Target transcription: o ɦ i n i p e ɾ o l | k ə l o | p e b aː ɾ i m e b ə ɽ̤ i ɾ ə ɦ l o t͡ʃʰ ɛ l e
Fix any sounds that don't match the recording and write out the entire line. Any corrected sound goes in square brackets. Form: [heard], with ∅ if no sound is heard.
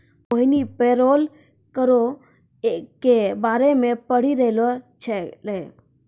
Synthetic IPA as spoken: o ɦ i n i p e ɾ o l | k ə [ɾ] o | [k] e b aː ɾ [e] m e [p] ə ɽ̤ i ɾ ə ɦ l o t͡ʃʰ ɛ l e